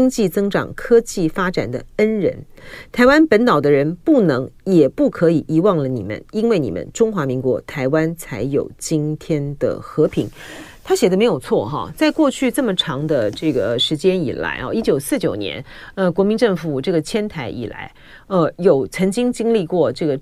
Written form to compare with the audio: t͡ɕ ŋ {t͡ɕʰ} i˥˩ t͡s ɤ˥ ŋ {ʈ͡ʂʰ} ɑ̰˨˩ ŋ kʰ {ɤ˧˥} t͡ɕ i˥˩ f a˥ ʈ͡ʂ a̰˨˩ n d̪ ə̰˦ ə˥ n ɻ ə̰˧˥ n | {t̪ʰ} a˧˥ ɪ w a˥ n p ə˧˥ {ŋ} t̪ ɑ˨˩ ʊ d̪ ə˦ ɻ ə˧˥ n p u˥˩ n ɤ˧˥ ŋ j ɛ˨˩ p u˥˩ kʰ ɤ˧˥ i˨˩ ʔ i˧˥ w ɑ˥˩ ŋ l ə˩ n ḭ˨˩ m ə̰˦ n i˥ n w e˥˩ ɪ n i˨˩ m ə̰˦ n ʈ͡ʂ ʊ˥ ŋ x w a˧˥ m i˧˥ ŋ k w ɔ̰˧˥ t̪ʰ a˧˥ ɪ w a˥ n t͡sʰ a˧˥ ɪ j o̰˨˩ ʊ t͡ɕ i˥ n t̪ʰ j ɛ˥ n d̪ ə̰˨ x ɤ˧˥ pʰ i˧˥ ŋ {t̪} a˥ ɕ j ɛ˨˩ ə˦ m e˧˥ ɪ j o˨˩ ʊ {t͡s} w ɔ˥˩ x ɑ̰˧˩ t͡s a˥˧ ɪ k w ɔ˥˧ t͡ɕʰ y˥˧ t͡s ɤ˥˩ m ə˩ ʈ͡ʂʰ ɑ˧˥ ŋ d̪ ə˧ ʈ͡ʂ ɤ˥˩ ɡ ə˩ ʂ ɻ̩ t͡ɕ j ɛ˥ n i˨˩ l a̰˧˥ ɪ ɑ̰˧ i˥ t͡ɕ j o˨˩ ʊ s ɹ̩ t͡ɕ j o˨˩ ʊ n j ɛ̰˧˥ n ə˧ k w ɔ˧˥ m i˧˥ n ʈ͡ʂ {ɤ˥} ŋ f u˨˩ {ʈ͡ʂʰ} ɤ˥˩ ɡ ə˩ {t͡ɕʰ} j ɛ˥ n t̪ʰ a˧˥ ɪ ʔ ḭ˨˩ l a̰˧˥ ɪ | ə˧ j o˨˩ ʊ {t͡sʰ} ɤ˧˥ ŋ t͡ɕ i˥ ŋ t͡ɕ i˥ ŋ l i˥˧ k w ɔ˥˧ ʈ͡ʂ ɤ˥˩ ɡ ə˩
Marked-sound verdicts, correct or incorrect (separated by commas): incorrect, incorrect, incorrect, correct, incorrect, incorrect, incorrect, incorrect, incorrect, correct, correct